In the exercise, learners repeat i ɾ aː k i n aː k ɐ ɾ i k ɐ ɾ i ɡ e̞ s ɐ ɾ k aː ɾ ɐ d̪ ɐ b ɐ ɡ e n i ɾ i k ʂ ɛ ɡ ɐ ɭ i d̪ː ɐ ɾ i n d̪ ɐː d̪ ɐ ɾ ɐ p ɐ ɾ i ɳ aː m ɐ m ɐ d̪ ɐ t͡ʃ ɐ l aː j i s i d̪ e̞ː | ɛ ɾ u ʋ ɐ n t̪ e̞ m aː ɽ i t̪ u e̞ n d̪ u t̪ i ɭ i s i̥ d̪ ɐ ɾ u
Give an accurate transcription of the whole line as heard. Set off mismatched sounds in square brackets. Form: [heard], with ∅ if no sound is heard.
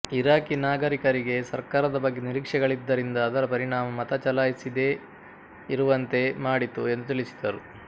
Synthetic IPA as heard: i ɾ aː k i n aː [ɡ] ɐ ɾ i k ɐ ɾ i ɡ e̞ s ɐ ɾ k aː ɾ ɐ d̪ ɐ b ɐ [ɡː] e n i ɾ i k ʂ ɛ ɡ ɐ ɭ i d̪ː ɐ ɾ i n d̪ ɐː d̪ ɐ ɾ ɐ p ɐ ɾ i ɳ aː m ɐ m ɐ [t̪] ɐ t͡ʃ ɐ l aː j i s i d̪ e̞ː | [i] ɾ u ʋ ɐ n t̪ e̞ m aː ɽ i t̪ u e̞ n d̪ u t̪ i ɭ i s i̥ d̪ ɐ ɾ u